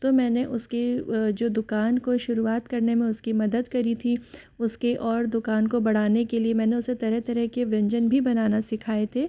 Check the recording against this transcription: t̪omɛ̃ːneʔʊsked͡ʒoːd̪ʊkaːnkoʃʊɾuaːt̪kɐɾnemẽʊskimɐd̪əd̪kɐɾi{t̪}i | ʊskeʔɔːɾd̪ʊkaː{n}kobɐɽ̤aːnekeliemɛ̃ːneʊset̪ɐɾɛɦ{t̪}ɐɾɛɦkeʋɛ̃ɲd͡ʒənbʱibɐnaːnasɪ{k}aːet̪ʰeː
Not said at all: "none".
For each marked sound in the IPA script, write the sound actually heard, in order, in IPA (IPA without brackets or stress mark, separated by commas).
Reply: t̪ʰ, n, t̪, kʰ